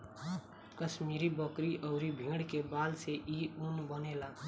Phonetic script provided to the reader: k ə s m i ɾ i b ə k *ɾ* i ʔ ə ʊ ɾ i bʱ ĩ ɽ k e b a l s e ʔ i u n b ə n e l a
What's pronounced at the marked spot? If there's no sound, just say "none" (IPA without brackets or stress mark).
ɾ